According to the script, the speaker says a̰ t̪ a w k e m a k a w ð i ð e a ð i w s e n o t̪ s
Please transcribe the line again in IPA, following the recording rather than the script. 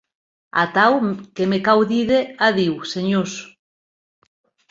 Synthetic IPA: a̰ t̪ a w k e m e k a w ð i ð e a ð i w s e ɲ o s